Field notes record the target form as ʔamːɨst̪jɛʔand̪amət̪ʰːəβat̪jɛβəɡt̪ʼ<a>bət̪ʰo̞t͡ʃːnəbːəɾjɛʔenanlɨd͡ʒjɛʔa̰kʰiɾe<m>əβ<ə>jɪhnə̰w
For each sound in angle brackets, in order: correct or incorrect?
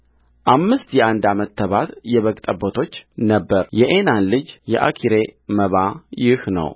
incorrect: ə, correct, incorrect: a

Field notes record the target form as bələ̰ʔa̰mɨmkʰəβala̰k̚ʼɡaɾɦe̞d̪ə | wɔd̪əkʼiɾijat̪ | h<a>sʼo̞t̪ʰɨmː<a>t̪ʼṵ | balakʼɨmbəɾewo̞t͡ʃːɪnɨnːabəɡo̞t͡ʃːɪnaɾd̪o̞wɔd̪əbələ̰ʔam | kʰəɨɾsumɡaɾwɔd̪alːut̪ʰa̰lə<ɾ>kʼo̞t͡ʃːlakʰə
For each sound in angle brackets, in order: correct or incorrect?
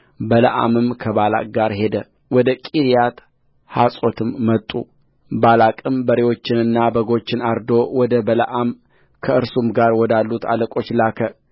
correct, incorrect: ə, incorrect: none

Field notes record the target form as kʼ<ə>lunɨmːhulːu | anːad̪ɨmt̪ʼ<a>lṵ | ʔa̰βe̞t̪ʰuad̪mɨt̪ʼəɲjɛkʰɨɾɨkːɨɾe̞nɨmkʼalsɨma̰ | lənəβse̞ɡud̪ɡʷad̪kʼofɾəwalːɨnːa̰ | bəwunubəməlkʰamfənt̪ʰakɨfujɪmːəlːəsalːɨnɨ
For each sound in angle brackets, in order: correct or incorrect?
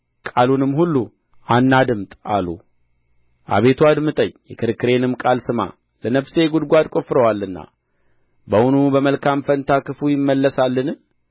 incorrect: a, correct

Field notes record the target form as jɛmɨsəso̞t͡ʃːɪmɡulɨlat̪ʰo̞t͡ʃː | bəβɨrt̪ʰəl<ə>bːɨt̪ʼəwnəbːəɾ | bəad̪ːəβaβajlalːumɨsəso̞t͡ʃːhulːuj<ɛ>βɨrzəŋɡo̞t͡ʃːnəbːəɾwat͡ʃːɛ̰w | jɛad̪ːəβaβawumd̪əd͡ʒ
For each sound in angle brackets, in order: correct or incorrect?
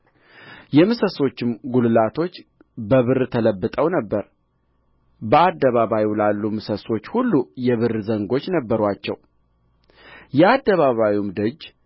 correct, correct

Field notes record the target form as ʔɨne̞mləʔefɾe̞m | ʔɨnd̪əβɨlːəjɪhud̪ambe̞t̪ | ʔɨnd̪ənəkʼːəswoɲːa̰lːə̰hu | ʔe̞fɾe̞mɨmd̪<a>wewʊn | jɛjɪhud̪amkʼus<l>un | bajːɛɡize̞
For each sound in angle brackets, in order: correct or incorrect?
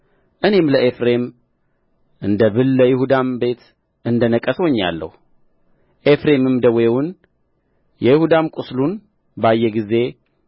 incorrect: ə, correct

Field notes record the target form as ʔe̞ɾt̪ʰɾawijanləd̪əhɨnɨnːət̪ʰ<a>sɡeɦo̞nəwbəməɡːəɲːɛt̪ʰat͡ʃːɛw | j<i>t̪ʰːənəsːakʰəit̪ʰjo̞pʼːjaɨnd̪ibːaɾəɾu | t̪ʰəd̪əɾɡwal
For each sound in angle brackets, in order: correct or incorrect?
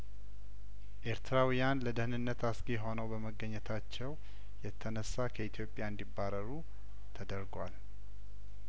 correct, incorrect: ɛ

